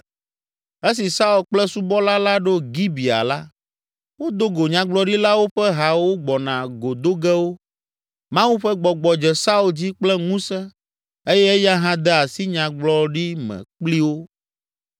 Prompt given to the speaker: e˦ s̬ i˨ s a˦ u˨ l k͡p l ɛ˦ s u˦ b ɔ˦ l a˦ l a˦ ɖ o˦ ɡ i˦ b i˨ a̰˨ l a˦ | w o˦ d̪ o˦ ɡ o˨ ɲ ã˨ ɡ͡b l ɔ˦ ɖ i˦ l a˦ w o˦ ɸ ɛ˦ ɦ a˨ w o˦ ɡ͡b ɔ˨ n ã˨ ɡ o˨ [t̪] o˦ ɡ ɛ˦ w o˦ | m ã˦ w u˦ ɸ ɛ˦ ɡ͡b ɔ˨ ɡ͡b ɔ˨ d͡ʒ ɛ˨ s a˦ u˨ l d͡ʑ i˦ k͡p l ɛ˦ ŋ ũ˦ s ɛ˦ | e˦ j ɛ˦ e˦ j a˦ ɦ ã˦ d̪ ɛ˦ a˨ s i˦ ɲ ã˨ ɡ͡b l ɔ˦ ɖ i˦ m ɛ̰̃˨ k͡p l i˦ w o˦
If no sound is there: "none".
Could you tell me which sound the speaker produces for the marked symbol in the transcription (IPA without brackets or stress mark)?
d̪